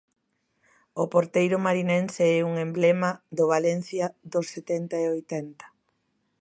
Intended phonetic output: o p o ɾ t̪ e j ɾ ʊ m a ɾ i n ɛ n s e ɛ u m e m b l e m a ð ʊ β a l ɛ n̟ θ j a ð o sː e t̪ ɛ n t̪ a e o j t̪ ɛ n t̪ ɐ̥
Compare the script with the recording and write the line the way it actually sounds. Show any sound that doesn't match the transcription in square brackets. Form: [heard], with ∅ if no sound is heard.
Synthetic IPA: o p o ɾ t̪ e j ɾ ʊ m a ɾ i n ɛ n s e ɛ u [ŋ] e m b l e m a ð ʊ β a l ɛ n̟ θ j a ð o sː e t̪ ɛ n t̪ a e o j t̪ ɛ n t̪ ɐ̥